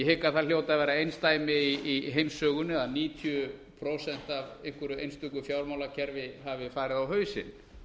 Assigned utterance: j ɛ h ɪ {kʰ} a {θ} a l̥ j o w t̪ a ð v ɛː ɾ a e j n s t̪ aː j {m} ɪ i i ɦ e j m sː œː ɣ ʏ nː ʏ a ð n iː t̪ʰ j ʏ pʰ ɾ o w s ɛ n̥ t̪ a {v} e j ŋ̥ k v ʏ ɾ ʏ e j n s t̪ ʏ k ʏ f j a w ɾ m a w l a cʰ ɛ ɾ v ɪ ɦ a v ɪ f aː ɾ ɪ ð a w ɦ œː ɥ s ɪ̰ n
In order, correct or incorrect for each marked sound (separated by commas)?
incorrect, correct, correct, correct